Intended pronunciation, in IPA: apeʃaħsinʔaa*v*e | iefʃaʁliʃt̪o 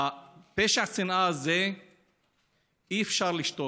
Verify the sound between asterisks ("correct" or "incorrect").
incorrect